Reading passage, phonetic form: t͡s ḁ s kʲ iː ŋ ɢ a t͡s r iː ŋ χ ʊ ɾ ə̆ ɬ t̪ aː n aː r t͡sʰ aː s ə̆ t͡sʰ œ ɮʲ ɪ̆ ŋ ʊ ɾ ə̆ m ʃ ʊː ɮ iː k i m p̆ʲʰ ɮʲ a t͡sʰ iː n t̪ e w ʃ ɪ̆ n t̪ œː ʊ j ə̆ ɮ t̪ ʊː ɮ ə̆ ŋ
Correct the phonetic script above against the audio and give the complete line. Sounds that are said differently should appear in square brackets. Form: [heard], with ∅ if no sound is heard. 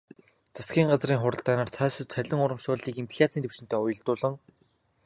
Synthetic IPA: t͡s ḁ s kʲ iː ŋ ɢ a t͡s r iː ŋ χ ʊ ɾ ə̆ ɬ t̪ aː n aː r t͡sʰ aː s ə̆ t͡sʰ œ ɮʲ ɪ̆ ŋ ʊ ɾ ə̆ m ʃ ʊː ɮ iː k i m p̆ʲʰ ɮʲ a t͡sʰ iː n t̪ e w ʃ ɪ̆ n t̪ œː ʊ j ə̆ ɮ t̪ ʊː ɮ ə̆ ŋ